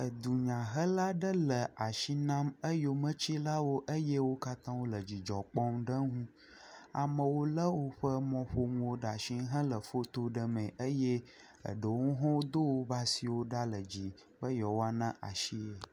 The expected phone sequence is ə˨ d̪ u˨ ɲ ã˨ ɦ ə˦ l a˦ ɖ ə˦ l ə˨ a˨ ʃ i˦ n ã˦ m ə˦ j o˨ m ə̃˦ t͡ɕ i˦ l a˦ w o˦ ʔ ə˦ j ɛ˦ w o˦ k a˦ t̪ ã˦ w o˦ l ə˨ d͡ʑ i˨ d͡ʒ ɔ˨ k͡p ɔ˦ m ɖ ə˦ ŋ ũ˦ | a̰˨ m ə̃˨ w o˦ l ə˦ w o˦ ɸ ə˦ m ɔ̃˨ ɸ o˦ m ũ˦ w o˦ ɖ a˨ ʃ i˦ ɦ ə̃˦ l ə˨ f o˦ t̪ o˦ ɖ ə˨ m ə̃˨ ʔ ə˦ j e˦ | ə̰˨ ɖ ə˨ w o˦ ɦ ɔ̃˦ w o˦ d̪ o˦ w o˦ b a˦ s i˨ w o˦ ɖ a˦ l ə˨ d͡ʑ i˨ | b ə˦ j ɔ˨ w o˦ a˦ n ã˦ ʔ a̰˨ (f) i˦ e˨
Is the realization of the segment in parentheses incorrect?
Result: yes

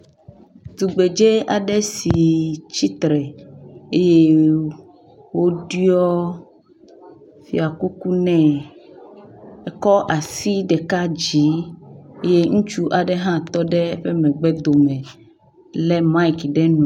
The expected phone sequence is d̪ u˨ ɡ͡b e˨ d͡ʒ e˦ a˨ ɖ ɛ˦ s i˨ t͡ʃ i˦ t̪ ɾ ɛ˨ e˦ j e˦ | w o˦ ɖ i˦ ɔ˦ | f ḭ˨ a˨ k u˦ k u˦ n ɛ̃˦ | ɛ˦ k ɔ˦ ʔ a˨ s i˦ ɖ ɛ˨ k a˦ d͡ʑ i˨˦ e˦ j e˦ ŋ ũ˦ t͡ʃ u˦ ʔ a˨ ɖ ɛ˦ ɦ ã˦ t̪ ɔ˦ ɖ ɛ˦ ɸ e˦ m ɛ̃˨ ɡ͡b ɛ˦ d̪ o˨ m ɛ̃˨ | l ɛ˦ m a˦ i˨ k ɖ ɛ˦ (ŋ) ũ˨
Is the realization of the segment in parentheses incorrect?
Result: yes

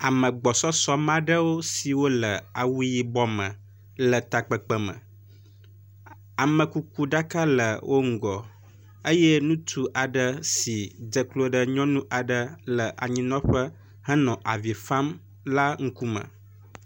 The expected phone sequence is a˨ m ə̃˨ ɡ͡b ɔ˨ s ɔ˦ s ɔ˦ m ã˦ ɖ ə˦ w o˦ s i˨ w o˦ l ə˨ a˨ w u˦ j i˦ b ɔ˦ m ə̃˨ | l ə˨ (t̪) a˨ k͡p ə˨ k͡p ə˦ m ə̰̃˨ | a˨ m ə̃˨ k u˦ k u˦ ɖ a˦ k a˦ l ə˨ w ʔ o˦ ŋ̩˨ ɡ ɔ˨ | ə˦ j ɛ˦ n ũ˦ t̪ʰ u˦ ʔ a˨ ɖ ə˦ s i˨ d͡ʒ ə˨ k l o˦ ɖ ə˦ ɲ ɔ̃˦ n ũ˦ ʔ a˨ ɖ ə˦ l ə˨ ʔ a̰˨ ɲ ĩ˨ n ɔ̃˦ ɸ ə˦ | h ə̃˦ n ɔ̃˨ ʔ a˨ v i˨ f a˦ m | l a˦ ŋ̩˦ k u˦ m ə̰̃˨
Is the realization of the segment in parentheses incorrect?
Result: no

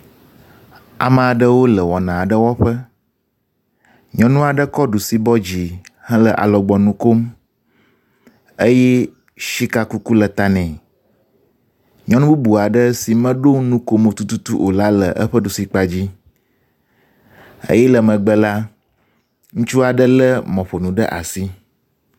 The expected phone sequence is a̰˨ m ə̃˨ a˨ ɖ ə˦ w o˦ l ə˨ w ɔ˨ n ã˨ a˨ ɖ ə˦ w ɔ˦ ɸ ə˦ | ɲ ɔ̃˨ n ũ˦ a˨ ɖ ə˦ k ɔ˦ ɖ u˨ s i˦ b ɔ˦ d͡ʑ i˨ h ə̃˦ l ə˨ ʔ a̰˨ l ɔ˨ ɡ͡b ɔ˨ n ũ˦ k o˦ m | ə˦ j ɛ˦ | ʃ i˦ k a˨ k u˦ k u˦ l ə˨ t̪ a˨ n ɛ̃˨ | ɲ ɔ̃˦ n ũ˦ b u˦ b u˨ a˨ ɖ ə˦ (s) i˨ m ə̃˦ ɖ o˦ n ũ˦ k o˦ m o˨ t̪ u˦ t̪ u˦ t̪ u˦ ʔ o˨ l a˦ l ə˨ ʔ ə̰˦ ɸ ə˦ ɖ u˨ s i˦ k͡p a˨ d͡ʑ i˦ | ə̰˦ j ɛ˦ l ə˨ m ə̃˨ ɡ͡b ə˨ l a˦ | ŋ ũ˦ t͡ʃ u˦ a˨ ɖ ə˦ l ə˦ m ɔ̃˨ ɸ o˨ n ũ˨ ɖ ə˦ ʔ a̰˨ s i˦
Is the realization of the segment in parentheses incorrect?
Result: no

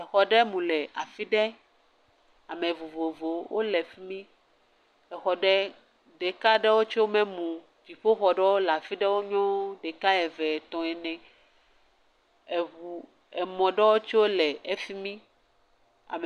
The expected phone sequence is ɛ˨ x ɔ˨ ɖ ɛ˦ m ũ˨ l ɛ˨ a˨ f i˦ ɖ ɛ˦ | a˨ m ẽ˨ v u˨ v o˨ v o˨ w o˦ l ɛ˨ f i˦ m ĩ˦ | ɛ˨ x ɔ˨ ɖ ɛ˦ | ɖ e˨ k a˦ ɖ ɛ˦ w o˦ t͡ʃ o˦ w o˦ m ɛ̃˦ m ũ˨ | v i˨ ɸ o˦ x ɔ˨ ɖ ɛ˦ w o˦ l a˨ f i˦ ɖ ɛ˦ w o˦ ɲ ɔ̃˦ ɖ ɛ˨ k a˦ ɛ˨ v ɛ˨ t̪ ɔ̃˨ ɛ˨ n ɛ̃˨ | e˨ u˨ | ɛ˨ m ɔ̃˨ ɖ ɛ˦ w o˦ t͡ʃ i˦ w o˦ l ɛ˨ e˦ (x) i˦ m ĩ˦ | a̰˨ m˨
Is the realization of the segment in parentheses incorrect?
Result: yes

